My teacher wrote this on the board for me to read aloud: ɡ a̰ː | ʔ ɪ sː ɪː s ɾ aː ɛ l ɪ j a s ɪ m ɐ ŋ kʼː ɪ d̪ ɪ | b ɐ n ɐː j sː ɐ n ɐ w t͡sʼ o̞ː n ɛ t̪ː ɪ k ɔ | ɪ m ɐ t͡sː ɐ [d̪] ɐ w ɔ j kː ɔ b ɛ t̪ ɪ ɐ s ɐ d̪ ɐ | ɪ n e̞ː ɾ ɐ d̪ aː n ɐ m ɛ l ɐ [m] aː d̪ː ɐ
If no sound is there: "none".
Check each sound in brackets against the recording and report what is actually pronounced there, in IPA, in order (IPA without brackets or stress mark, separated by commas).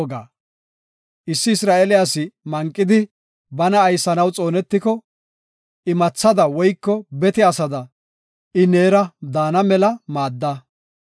d̪, m